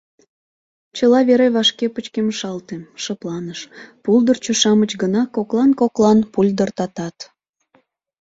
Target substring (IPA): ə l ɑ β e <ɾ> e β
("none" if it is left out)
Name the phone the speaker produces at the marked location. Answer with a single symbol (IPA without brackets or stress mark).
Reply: ɾ